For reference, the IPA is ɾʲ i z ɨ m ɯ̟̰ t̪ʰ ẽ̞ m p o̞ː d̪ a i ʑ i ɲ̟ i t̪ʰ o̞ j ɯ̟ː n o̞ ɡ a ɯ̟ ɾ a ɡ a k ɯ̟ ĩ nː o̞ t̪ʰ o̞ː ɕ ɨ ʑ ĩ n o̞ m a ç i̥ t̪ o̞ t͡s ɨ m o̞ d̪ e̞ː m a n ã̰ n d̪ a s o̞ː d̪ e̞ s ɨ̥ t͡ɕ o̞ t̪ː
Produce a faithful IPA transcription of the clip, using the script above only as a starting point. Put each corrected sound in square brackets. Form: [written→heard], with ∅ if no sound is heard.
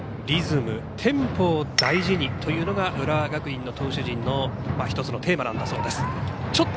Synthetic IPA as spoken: ɾʲ i z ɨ m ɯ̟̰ t̪ʰ ẽ̞ m p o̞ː d̪ a i ʑ i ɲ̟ i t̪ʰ o̞ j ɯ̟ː n o̞ ɡ a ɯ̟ ɾ a ɡ a k ɯ̟ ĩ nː o̞ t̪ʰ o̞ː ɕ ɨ ʑ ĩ [n→nː] o̞ m a ç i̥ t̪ o̞ t͡s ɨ [m→n] o̞ [d̪→t̪] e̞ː m a n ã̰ n d̪ a s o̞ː d̪ e̞ s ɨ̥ t͡ɕ o̞ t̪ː